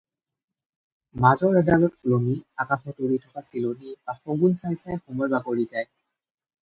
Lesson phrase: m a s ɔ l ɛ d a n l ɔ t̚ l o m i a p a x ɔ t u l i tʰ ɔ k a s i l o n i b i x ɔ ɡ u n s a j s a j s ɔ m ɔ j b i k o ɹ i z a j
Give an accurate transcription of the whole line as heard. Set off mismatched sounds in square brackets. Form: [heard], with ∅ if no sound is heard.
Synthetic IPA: m a [z] ɔ [ɹ] ɛ d a [∅] l ɔ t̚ l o m i a [k] a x ɔ t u [ɹ] i tʰ ɔ k a s i l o n i b [a] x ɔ ɡ u n s a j s a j [x] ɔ m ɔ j b [a] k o ɹ i z a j

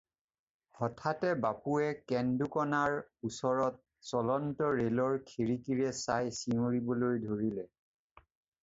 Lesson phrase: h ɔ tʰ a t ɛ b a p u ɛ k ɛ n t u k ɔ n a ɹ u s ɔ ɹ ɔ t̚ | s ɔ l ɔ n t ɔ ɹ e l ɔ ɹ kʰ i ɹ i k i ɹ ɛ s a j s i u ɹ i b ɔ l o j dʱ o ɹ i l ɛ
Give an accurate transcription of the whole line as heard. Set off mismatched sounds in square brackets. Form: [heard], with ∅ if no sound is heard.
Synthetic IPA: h ɔ tʰ a t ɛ b a p u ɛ k ɛ n [d] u k ɔ n a ɹ u s ɔ ɹ ɔ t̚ | s ɔ l ɔ n t ɔ ɹ e l ɔ ɹ kʰ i ɹ i k i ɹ ɛ s a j s i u ɹ i b ɔ l o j dʱ o ɹ i l ɛ

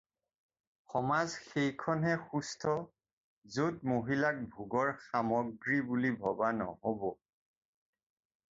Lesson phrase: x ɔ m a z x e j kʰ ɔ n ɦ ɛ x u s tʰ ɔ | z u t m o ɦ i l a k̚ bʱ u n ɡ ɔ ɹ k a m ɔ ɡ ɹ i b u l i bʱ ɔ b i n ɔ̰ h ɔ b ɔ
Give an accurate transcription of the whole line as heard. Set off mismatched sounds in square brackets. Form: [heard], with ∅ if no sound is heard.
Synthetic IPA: x ɔ m a z x e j kʰ ɔ n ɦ ɛ x u s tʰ ɔ | z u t m o ɦ i l a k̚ bʱ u [∅] ɡ ɔ ɹ [x] a m ɔ ɡ ɹ i b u l i bʱ ɔ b [a] n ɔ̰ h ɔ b ɔ

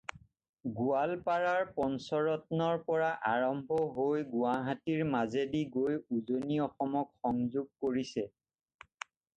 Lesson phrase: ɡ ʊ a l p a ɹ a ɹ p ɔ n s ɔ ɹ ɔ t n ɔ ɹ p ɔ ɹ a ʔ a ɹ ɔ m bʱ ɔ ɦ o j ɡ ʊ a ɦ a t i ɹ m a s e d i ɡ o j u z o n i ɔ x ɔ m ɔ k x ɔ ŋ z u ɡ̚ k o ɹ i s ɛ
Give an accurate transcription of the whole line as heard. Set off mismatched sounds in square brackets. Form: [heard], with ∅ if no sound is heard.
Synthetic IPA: ɡ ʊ a l p a ɹ a ɹ p ɔ n s ɔ ɹ ɔ t n ɔ ɹ p ɔ ɹ a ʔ a ɹ ɔ m bʱ ɔ ɦ o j ɡ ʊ a ɦ a t i ɹ m a [z] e d i ɡ o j u z o n i ɔ x ɔ m ɔ k x ɔ ŋ z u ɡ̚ k o ɹ i s ɛ

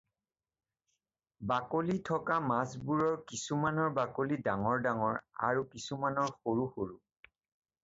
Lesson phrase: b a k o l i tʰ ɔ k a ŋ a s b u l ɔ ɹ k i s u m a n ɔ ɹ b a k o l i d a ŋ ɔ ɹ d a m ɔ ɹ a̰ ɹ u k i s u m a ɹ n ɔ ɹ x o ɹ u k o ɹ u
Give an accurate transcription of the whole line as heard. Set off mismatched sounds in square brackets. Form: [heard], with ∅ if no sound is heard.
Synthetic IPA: b a k o l i tʰ ɔ k a [m] a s b u [ɹ] ɔ ɹ k i s u m a n ɔ ɹ b a k o l i d a ŋ ɔ ɹ d a [ŋ] ɔ ɹ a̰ ɹ u k i s u m a [∅] n ɔ ɹ x o ɹ u [x] o ɹ u

